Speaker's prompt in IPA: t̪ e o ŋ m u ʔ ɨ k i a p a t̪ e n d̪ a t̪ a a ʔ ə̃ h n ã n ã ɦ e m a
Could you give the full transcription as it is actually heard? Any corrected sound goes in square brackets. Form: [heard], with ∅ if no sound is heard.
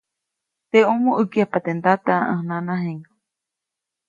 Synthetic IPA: t̪ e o [∅] m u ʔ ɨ k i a p a t̪ e n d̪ a t̪ a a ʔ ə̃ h n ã n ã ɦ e [ŋ] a